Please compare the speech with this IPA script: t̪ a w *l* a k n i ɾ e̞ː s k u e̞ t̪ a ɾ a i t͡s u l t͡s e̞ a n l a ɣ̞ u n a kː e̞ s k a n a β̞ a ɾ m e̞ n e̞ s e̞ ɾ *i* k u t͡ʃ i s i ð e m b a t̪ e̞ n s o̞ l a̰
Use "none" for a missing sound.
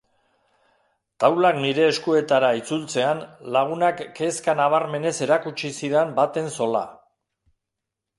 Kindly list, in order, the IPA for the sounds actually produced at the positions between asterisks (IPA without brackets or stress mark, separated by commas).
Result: l, a